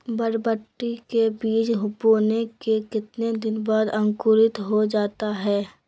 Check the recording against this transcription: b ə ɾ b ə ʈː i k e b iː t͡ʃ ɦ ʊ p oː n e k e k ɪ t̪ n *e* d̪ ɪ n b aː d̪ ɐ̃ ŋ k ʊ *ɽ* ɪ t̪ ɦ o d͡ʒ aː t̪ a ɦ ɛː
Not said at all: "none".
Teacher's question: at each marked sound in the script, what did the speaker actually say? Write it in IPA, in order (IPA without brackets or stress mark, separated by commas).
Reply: e, ɾ